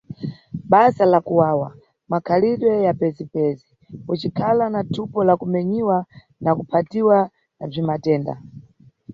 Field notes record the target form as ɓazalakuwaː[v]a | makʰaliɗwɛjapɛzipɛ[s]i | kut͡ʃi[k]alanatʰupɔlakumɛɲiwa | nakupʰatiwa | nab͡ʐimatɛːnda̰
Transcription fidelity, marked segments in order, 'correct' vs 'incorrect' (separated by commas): incorrect, incorrect, incorrect